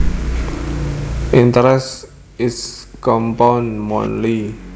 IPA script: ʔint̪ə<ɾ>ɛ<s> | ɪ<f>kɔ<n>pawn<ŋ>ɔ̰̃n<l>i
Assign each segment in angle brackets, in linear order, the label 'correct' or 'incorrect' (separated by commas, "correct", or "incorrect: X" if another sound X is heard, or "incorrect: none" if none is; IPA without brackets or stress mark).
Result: correct, correct, incorrect: s, incorrect: m, incorrect: m, correct